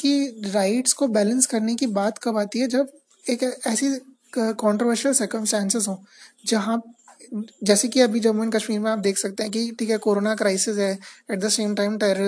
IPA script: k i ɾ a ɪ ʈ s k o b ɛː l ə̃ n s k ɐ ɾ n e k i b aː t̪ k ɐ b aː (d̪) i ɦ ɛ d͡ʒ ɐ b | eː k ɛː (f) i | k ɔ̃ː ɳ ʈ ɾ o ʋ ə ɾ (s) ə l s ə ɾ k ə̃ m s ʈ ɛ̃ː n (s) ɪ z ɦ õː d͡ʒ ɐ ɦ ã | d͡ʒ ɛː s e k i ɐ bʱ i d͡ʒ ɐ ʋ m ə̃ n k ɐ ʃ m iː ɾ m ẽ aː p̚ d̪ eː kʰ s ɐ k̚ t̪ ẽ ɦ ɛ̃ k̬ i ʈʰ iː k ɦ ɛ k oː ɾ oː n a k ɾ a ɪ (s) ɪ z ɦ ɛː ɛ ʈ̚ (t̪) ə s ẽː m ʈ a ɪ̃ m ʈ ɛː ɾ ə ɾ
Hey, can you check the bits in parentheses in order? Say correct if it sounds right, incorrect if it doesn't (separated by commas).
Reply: incorrect, incorrect, incorrect, correct, correct, incorrect